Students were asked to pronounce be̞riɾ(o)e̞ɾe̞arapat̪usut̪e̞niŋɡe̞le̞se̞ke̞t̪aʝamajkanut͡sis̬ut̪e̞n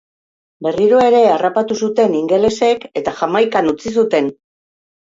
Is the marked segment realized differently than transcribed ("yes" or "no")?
no